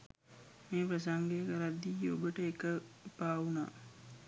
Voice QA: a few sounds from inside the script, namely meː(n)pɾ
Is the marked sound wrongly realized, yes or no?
yes